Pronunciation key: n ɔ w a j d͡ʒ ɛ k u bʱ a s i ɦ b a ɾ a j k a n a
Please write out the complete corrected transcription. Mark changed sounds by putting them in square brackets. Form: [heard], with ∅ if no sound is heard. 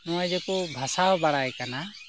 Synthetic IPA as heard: n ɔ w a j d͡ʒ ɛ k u bʱ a s [a] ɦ b a [ɽ] a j k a n a